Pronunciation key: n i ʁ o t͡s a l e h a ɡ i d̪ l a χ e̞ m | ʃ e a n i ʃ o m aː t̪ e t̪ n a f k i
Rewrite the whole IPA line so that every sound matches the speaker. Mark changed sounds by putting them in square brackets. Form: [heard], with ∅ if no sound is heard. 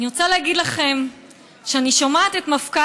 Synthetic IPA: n i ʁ o t͡s a l e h a ɡ i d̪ l a χ e̞ m | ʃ e a n i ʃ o m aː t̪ e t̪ [m] a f k [a]